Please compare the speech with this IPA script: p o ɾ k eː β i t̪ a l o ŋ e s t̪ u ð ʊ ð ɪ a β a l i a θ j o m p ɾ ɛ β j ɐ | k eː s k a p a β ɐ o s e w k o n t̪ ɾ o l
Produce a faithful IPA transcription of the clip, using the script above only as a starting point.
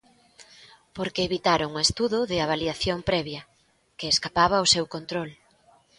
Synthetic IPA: p o ɾ k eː β i t̪ a ɾ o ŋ e s t̪ u ð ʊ ð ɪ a β a l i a θ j o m p ɾ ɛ β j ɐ | k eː s k a p a β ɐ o s e w k o n t̪ ɾ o l